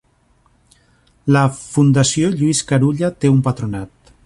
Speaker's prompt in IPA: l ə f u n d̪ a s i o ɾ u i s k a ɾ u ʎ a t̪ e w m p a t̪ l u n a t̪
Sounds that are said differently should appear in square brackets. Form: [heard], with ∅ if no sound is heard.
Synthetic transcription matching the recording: l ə f u n d̪ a s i o [ʎ] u i s k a ɾ u ʎ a t̪ e [u] m p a t̪ [ɾ] u n a t̪